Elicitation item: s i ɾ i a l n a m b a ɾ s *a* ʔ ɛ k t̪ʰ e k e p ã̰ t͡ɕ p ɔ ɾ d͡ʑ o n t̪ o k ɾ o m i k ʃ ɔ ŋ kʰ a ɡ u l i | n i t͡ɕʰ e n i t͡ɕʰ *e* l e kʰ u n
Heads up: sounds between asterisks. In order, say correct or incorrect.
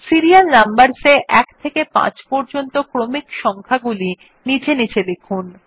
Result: incorrect, correct

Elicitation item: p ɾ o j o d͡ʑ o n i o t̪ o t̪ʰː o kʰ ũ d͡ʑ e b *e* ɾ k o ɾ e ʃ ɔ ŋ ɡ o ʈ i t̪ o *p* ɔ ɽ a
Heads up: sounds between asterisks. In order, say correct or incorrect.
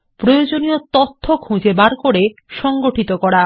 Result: incorrect, incorrect

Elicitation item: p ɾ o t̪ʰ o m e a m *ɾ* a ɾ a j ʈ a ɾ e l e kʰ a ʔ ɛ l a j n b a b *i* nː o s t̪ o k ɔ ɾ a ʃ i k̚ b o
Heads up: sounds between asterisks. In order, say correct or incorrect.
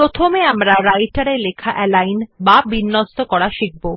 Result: correct, correct

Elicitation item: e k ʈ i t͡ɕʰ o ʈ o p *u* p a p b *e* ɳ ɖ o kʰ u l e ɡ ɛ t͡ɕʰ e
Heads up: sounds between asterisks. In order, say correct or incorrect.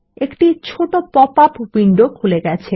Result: incorrect, incorrect

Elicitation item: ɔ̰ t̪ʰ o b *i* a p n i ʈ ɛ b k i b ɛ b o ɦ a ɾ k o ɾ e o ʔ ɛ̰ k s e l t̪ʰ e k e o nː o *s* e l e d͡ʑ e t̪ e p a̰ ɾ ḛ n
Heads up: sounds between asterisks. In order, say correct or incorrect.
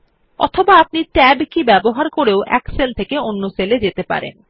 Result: incorrect, correct

